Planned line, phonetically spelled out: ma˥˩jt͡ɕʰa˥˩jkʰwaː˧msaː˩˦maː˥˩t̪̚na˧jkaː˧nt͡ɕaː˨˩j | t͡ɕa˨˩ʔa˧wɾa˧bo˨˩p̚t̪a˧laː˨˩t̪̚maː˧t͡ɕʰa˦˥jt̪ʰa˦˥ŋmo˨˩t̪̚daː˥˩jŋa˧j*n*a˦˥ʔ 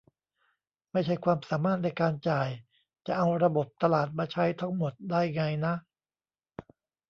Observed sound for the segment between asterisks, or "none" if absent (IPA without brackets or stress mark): n